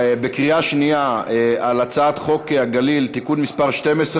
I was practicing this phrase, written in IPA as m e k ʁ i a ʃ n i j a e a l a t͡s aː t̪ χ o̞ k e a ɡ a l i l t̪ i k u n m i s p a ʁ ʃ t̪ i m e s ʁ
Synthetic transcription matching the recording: b e k ʁ i a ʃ n i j a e a l a t͡s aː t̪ χ o̞ k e a ɡ a l i l t̪ i k u n m i s p a ʁ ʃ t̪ e m e s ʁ